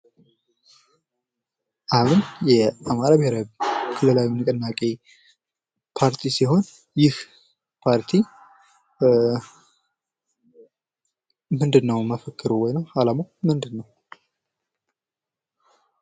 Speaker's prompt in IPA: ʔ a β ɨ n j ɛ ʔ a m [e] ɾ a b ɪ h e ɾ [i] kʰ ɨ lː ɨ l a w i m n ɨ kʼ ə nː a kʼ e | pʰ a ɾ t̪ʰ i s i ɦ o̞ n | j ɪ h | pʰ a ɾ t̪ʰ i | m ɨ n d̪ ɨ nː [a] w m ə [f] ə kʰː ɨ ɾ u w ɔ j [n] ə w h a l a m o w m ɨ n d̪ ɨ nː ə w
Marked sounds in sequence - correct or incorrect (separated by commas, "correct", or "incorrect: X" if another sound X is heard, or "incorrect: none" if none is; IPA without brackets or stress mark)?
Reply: incorrect: a, incorrect: a, incorrect: ə, correct, correct